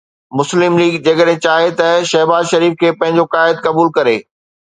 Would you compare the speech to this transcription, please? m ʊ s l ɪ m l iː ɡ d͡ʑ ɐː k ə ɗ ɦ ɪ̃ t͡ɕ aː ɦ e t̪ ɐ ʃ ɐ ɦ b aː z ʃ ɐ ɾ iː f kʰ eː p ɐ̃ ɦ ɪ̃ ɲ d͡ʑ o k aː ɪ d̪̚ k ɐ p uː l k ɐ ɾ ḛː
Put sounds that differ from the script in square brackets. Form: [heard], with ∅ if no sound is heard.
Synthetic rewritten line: m ʊ s l ɪ m l iː ɡ d͡ʑ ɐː k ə ɗ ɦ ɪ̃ t͡ɕ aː ɦ e t̪ ɐ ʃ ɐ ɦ b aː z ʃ ɐ ɾ iː f kʰ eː p ɐ̃ ɦ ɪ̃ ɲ d͡ʑ o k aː ɪ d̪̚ k ɐ [b] uː l k ɐ ɾ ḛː